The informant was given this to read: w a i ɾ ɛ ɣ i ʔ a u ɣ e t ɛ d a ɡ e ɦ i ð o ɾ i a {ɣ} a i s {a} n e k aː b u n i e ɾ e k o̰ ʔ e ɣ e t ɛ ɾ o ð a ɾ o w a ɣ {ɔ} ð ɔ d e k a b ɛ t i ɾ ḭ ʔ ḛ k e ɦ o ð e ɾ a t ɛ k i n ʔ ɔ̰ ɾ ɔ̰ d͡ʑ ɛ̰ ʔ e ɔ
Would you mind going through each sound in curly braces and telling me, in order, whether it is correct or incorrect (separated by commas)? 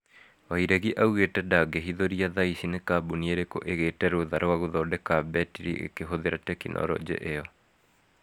incorrect, incorrect, incorrect